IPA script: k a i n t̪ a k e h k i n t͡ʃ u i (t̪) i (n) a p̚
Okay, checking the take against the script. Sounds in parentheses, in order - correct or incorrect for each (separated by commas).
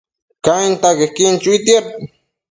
correct, incorrect